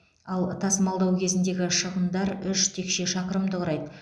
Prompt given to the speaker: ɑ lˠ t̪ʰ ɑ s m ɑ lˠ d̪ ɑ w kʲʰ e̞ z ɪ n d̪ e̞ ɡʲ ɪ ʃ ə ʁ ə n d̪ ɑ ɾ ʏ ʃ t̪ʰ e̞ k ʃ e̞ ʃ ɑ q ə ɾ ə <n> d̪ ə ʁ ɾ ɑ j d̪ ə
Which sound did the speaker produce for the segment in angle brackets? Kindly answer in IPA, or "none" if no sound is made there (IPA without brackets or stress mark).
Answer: m